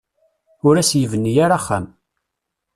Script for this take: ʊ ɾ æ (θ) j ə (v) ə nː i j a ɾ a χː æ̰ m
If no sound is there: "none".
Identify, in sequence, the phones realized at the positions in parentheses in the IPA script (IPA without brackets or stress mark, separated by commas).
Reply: s, v